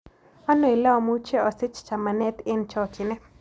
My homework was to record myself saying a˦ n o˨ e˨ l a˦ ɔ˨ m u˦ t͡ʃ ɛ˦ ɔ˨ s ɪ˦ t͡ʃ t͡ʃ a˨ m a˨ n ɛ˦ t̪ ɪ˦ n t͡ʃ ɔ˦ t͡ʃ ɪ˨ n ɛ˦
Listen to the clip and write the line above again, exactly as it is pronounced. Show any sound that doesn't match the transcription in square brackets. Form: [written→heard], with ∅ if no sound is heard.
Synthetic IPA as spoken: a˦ n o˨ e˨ l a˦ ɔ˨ m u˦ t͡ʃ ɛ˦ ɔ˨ s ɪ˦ t͡ʃ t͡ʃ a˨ m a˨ n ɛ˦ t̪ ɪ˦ n t͡ʃ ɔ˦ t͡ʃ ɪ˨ n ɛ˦